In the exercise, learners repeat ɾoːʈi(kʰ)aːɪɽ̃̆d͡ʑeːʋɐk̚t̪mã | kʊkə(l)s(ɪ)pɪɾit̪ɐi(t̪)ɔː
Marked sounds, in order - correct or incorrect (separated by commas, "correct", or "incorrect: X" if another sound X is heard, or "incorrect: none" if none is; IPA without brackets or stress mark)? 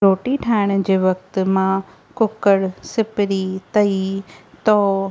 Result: incorrect: ʈʰ, incorrect: ɽ, correct, correct